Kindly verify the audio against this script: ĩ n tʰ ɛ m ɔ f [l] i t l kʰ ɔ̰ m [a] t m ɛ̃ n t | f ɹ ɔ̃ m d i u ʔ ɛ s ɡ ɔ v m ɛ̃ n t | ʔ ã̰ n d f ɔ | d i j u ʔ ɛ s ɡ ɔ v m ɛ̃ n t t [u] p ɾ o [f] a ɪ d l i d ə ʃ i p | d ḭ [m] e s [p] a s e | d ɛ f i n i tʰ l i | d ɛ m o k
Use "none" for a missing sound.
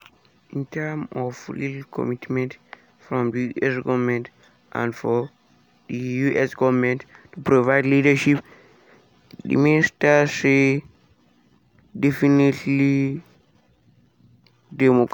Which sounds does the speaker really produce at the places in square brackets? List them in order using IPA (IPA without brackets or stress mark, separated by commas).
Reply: l, i, u, v, m, t